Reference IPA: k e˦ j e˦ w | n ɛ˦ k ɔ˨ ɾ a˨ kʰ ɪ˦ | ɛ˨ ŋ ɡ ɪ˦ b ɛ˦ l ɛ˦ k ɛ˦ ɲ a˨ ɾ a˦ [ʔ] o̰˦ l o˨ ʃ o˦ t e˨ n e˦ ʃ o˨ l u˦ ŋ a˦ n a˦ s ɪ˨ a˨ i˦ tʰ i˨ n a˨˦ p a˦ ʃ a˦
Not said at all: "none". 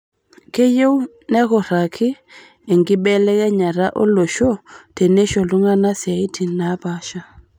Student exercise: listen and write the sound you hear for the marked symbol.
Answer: ʔ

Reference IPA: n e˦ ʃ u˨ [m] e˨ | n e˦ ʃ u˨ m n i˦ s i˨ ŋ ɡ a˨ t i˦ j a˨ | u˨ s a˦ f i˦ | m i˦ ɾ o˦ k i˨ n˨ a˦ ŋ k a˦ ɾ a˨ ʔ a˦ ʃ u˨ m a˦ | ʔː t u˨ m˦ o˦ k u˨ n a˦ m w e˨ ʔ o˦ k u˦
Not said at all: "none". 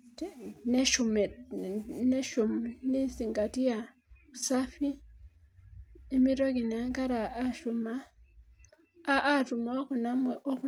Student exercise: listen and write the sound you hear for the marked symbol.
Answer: m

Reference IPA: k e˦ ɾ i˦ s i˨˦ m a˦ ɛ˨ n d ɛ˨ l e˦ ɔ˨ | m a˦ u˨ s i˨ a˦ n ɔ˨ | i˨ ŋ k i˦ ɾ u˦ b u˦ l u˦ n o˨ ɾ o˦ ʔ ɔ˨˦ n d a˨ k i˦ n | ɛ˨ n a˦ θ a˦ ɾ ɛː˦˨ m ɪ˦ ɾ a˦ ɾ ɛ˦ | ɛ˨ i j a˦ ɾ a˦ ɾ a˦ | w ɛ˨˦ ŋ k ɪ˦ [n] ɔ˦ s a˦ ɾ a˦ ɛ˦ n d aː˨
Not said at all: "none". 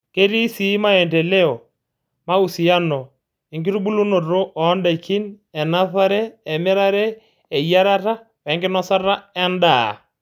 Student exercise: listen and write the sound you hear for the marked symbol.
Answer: n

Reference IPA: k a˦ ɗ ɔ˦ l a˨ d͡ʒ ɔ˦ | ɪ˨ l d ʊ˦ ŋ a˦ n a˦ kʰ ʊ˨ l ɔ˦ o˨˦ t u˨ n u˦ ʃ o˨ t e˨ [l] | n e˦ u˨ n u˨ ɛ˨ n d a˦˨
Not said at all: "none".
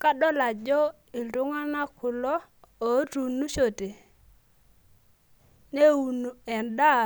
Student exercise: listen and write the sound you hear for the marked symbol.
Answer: none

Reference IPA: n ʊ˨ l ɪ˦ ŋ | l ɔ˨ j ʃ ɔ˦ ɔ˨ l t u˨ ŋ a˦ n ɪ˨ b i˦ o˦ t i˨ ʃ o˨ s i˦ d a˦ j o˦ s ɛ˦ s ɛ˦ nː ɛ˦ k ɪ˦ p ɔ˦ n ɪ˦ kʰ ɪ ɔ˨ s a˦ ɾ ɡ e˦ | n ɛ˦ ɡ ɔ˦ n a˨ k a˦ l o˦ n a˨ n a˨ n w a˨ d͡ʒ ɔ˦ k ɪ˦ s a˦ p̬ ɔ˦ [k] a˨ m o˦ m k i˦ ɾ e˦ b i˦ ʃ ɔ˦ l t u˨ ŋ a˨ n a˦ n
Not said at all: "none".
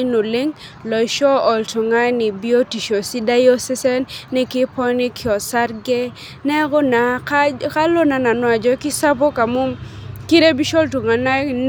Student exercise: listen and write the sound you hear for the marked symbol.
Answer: k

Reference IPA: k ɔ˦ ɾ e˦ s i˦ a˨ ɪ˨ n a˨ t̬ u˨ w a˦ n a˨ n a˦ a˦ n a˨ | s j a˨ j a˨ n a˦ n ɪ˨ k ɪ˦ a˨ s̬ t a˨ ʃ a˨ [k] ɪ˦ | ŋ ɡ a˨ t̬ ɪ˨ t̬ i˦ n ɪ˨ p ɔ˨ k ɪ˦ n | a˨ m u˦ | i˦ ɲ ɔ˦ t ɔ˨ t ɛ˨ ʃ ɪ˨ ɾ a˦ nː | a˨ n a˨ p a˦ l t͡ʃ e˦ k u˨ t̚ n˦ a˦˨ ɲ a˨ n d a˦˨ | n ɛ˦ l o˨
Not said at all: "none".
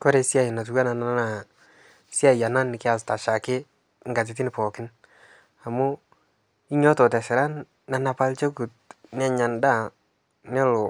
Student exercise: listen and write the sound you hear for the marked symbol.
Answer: k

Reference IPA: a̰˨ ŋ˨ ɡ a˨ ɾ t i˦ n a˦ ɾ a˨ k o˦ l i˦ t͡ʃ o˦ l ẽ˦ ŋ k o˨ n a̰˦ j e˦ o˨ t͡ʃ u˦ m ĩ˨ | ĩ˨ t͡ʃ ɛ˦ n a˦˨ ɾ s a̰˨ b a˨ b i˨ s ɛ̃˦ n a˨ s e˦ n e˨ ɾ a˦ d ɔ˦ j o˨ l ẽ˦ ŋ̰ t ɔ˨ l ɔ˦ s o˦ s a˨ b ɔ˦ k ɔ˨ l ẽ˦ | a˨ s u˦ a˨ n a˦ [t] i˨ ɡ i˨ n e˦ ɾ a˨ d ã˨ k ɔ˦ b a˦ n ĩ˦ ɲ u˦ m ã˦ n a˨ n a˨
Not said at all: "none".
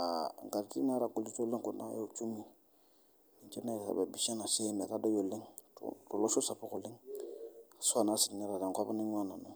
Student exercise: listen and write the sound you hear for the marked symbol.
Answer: s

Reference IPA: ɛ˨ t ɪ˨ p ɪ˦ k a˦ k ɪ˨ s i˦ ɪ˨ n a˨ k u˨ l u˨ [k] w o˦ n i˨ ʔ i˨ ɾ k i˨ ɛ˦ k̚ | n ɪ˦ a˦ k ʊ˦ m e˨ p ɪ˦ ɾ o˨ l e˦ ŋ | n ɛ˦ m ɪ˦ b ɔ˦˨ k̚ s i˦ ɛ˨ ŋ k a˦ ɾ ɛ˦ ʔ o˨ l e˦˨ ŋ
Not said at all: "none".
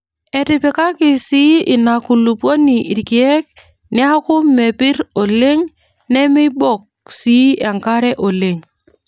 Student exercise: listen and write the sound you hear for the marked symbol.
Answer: p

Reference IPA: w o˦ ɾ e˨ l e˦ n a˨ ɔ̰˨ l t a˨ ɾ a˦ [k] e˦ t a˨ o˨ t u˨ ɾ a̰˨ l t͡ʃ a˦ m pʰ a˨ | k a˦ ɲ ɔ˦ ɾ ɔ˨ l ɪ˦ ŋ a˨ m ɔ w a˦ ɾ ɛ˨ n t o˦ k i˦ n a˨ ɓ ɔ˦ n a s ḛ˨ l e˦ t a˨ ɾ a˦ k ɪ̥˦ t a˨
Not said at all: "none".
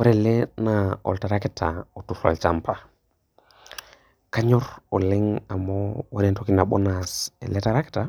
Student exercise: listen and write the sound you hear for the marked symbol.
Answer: k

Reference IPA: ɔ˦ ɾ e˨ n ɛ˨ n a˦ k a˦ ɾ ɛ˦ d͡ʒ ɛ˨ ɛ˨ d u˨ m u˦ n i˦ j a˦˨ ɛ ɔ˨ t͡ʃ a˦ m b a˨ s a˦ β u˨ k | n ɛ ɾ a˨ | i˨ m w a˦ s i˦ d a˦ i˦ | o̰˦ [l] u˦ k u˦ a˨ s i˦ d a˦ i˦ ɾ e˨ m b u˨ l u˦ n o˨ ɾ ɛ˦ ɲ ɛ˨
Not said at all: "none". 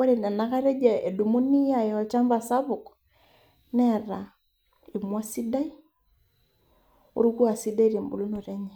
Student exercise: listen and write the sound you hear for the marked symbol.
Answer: ɾ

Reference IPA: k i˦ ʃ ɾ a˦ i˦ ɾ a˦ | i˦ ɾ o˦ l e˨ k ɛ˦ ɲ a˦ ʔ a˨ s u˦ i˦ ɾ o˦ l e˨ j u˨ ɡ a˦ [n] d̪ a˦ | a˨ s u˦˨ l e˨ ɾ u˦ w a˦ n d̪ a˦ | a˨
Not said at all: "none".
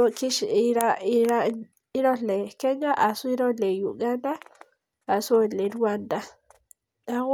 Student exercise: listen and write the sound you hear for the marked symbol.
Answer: n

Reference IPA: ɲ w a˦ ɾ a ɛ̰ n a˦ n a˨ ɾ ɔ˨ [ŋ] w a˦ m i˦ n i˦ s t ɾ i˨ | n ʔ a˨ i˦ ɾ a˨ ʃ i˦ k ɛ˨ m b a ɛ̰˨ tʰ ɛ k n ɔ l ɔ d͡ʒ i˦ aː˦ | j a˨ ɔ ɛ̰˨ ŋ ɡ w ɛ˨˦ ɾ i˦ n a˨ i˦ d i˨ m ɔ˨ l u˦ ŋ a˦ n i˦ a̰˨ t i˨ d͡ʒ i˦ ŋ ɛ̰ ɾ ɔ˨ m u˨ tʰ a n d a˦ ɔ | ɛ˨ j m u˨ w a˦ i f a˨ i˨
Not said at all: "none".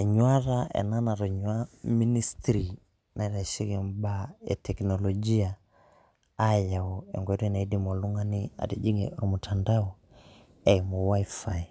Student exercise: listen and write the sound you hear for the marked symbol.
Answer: ɲ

